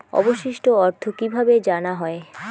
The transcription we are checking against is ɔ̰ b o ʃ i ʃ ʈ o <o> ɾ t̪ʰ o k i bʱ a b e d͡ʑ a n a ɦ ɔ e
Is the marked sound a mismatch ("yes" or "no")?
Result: yes